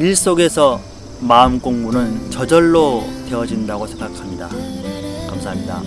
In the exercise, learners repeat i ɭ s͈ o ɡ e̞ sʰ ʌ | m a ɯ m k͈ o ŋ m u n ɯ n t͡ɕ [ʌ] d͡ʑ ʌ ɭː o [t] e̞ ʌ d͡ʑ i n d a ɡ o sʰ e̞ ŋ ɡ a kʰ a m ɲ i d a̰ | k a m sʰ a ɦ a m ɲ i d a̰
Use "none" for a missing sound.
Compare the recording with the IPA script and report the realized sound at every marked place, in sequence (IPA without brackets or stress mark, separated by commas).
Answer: ʌ, t